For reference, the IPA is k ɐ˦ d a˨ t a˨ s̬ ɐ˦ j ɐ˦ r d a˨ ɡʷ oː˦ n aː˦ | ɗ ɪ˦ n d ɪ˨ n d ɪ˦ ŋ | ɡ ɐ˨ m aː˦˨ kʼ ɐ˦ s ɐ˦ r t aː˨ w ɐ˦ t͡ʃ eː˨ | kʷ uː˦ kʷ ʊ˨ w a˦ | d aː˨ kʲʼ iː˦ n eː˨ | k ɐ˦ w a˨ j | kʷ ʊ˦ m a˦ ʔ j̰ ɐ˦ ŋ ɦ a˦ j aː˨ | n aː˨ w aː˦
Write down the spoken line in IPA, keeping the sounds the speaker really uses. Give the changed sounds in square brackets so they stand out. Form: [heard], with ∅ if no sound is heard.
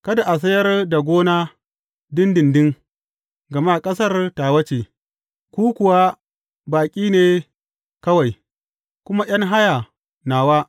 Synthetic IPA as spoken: k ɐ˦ d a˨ [ʔ] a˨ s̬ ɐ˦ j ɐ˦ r d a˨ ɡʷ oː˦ n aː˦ | [d] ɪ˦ n d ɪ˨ n d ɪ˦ ŋ | ɡ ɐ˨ m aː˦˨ kʼ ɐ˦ s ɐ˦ r t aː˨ w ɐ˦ t͡ʃ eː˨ | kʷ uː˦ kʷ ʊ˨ w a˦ | [b] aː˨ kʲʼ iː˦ n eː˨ | k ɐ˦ w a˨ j | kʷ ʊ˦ m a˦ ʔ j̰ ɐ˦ ŋ ɦ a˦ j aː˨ | n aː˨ w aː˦

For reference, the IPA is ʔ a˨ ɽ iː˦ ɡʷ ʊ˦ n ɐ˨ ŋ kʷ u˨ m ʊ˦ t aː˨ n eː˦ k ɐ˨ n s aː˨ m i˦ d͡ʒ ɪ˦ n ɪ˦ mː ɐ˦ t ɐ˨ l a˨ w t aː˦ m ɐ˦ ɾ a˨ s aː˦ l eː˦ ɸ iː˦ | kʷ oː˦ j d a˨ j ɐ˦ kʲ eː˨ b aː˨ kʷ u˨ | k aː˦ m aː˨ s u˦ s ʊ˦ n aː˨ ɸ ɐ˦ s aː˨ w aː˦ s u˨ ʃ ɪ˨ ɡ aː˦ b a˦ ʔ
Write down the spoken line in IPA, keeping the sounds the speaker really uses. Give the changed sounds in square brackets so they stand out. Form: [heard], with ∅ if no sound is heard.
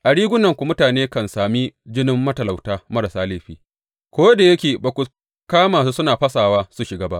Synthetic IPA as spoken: ʔ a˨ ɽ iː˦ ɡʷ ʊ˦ n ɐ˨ ŋ kʷ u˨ m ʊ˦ t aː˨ n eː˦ k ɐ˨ n s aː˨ m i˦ d͡ʒ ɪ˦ n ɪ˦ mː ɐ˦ t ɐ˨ l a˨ w t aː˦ m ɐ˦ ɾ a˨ s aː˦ l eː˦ ɸ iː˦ | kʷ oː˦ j d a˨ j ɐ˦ kʲ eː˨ b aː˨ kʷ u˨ | k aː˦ m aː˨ s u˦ s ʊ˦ n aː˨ ɸ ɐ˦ s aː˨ w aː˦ s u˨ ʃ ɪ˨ ɡ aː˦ b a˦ ʔ

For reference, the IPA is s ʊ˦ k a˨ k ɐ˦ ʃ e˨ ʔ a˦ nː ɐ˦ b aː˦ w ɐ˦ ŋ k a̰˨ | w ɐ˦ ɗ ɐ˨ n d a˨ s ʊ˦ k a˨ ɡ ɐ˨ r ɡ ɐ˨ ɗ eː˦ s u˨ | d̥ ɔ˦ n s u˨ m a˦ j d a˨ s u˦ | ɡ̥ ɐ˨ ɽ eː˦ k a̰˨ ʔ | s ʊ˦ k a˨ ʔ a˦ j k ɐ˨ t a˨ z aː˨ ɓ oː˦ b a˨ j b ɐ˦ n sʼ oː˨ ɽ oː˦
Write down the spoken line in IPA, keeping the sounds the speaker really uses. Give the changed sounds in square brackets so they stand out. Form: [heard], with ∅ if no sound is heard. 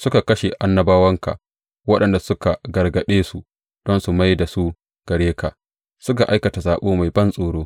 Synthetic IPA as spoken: s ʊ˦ k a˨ k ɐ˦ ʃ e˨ ʔ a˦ nː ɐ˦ b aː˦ w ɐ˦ ŋ k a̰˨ | w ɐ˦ ɗ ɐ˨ n d a˨ s ʊ˦ k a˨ ɡ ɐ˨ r ɡ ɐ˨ ɗ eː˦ s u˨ | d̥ ɔ˦ n s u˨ m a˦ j d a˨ s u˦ | ɡ̥ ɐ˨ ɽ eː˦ k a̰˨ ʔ | s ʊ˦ k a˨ ʔ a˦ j k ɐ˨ t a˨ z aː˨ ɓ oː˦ [m] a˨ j b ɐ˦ n sʼ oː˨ ɽ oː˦

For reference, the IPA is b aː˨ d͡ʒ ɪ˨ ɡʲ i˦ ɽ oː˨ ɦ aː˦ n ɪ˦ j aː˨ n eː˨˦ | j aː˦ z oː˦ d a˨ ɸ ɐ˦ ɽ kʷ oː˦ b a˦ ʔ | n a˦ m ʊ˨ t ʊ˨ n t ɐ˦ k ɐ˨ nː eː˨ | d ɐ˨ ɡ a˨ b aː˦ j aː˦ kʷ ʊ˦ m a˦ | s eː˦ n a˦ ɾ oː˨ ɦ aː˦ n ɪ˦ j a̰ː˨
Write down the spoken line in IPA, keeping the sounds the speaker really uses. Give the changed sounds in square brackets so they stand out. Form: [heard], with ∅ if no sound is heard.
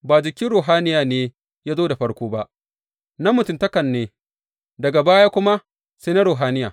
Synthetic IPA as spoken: b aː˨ d͡ʒ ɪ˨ [kʲ] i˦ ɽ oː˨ ɦ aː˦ n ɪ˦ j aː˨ n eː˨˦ | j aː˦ z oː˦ d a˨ ɸ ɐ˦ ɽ kʷ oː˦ b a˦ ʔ | n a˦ m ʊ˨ t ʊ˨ n t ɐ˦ k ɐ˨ nː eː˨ | d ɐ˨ ɡ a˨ b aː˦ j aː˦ kʷ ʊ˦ m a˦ | s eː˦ n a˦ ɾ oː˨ ɦ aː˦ n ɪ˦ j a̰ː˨

